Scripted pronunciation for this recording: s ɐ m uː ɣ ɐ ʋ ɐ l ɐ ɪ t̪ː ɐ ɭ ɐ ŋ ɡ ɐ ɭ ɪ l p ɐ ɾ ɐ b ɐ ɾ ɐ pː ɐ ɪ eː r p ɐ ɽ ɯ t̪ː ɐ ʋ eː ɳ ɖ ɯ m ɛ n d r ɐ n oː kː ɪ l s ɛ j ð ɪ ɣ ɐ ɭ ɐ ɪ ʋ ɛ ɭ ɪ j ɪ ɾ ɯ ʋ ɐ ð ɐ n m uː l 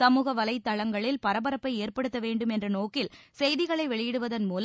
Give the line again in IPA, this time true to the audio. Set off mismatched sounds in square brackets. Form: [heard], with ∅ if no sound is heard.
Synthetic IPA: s ɐ m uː ɣ ɐ ʋ ɐ l ɐ ɪ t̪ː ɐ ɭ ɐ ŋ ɡ ɐ ɭ ɪ l p ɐ ɾ ɐ b ɐ ɾ ɐ pː ɐ ɪ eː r p ɐ ɽ ɯ t̪ː ɐ ʋ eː ɳ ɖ ɯ m ɛ n d r ɐ n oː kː ɪ l s ɛ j ð ɪ ɣ ɐ ɭ ɐ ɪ ʋ ɛ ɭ ɪ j ɪ [ɽ] ɯ ʋ ɐ ð ɐ n m uː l